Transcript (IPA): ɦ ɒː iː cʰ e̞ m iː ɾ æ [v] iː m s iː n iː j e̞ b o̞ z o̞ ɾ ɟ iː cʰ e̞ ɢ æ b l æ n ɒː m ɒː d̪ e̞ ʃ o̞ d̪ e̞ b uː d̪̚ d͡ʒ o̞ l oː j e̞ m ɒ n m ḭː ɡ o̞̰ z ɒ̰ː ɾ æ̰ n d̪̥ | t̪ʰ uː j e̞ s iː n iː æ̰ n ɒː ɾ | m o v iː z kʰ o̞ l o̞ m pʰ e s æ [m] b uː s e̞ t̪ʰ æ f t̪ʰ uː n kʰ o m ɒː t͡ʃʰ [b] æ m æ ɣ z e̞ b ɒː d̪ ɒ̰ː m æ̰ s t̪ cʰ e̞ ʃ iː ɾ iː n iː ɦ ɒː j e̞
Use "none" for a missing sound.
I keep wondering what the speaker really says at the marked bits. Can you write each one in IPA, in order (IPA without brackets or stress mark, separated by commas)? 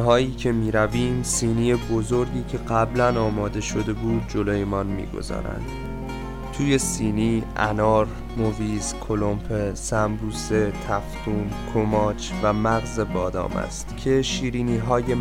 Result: v, m, v